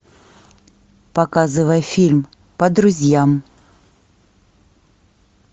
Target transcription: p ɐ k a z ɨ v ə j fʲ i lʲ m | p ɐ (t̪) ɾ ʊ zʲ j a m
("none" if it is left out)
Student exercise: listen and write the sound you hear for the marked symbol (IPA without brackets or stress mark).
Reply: d̪